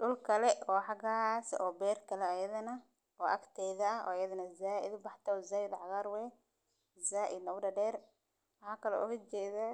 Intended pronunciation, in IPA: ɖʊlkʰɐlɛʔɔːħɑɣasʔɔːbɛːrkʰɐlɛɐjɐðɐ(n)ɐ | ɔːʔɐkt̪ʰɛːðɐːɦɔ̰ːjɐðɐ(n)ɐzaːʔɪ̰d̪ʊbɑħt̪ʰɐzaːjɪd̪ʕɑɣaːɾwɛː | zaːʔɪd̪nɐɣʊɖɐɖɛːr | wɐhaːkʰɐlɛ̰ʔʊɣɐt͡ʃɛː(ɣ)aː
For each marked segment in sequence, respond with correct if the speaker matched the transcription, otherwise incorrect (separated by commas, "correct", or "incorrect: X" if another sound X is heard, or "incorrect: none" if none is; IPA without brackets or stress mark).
correct, correct, incorrect: ð